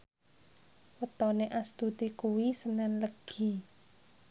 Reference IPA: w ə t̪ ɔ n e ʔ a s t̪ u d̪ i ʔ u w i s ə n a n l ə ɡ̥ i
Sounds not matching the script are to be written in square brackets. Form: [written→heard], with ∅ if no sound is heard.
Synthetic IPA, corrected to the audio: w ə t̪ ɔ n e ʔ a s t̪ u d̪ i [ʔ→k] u w i s ə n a n l ə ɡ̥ i